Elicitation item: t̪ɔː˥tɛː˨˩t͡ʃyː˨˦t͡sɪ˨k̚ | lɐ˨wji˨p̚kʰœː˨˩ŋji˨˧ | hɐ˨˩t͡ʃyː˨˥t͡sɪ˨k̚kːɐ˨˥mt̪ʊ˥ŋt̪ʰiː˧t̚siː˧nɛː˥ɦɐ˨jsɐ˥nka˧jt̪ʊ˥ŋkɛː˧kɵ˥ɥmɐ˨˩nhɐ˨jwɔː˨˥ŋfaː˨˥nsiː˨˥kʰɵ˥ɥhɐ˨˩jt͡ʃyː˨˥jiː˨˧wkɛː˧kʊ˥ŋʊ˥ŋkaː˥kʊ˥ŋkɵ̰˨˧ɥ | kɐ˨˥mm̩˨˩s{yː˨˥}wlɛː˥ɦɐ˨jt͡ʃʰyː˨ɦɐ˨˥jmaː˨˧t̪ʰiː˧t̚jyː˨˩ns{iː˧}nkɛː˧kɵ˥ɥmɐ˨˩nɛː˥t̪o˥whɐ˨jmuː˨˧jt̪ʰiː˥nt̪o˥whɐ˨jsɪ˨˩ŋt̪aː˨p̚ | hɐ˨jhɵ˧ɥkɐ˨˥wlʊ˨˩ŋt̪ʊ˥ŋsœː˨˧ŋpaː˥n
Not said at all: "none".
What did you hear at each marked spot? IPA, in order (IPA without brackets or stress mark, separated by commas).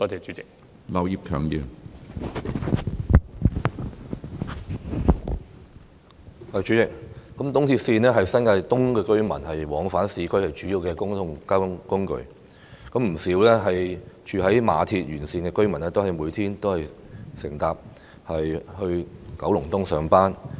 iː˨˥, iː˧